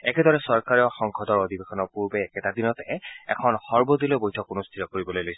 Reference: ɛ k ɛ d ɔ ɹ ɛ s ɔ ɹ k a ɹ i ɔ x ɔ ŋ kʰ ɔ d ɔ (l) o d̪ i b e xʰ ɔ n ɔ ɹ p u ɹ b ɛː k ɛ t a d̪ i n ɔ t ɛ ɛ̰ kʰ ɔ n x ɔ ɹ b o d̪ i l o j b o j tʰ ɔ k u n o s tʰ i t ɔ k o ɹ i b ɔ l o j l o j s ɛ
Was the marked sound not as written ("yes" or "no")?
yes